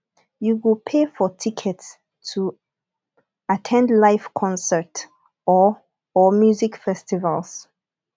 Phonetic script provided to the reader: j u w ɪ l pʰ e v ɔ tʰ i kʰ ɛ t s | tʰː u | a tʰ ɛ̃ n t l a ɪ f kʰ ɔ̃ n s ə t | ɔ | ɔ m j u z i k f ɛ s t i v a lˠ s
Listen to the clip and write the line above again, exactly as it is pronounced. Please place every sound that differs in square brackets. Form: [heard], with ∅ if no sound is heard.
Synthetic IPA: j u w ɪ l pʰ e [f] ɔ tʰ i kʰ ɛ t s | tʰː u | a tʰ ɛ̃ n [d] l a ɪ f kʰ ɔ̃ n s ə t | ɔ | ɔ m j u z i k f ɛ s t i v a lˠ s